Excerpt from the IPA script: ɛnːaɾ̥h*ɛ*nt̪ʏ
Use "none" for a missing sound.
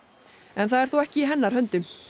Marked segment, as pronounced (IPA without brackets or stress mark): œ